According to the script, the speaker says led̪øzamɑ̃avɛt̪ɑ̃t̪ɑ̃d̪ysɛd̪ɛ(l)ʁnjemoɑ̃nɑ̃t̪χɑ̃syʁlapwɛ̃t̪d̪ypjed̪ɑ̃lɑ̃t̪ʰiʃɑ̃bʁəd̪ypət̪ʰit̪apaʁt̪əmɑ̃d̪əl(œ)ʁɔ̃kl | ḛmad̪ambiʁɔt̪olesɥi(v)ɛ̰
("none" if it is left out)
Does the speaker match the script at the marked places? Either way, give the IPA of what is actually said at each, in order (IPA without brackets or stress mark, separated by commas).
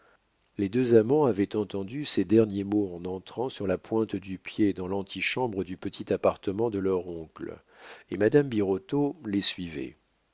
none, œ, v